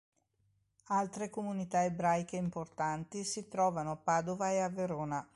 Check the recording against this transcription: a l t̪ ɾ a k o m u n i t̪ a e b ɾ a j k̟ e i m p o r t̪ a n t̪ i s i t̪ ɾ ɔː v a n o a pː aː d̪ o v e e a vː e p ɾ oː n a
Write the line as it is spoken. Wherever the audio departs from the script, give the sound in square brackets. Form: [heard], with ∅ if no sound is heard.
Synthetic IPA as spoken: a l t̪ ɾ [e] k o m u n i t̪ a e b ɾ a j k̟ e i m p o r t̪ a n t̪ i s i t̪ ɾ ɔː v a n o a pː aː d̪ o v [a] e a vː e [∅] ɾ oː n a